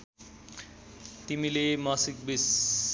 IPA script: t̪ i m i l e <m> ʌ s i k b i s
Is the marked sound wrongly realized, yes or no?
no